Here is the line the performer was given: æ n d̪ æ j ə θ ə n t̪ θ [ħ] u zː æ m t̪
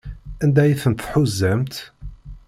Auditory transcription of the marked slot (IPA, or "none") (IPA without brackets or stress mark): ħ